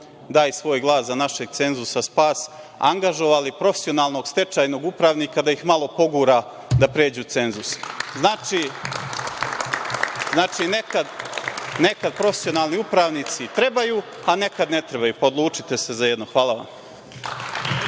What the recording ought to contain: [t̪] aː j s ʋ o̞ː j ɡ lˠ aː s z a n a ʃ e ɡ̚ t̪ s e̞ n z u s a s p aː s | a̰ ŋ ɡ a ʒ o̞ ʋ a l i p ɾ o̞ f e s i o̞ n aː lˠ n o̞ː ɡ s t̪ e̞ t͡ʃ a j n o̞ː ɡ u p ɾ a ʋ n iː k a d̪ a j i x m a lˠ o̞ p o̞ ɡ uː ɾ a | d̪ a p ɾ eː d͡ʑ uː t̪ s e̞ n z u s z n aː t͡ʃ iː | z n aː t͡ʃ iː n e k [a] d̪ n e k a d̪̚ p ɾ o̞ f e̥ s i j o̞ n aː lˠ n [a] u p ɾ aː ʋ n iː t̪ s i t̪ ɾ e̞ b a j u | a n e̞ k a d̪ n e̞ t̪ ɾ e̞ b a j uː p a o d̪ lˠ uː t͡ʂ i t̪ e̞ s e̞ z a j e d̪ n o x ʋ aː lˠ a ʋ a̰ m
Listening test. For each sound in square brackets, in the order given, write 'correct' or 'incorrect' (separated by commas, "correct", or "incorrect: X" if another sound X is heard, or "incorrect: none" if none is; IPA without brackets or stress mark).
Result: incorrect: d̪, correct, incorrect: i